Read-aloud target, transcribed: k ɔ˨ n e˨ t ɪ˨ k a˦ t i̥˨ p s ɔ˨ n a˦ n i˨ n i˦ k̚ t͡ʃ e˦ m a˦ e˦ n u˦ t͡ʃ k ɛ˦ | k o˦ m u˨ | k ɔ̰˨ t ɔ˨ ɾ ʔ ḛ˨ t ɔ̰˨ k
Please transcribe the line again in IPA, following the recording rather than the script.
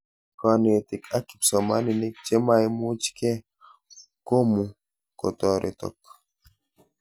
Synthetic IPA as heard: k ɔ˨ n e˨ t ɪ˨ k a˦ k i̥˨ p s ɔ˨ m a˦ n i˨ n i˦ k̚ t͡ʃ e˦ m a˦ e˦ m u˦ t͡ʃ k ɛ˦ | k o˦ m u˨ | k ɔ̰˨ t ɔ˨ ɾ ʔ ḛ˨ t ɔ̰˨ k